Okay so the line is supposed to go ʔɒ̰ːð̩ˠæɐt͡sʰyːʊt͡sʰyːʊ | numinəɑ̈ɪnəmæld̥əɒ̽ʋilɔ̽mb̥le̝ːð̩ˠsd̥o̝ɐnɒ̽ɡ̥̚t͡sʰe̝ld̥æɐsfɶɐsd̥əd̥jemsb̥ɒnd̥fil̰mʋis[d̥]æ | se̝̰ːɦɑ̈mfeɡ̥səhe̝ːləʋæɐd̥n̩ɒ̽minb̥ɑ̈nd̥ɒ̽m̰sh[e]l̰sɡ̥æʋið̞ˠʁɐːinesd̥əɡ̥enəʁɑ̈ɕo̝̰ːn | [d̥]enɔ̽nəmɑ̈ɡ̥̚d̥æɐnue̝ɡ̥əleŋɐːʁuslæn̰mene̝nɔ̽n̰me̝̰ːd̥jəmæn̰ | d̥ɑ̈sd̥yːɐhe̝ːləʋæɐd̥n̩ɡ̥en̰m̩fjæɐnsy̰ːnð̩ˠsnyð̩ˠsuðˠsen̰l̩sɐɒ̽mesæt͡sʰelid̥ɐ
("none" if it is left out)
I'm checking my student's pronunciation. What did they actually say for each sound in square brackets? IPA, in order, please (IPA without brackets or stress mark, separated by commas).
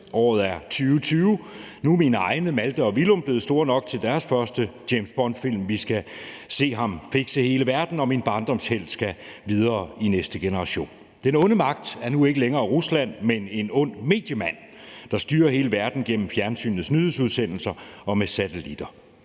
ɡ̥, e, d̥